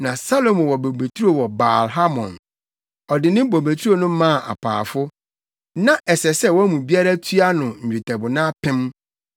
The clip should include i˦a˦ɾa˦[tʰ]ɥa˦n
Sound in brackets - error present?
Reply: no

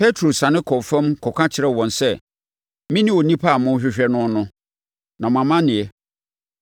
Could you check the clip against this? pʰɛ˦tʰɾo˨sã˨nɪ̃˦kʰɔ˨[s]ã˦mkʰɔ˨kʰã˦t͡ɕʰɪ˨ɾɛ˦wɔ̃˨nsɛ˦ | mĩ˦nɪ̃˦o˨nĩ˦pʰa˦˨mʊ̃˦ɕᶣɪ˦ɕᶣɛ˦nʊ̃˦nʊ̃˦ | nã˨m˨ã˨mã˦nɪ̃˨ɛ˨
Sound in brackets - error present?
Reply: yes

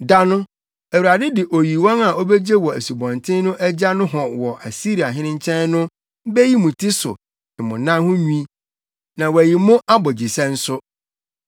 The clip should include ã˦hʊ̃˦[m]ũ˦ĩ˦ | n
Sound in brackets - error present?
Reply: yes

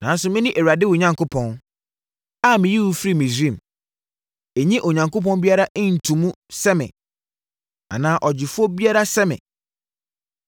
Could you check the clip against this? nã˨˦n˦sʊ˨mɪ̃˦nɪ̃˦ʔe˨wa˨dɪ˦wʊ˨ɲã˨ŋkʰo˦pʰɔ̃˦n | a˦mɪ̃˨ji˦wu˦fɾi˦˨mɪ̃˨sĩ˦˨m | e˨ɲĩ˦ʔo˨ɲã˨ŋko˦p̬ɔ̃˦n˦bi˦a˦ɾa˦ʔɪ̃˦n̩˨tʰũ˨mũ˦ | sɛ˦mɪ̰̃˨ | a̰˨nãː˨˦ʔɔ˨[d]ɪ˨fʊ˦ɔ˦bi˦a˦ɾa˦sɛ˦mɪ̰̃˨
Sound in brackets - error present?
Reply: yes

